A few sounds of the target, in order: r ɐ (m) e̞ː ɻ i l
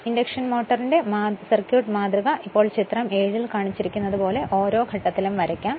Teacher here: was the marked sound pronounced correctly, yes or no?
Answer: yes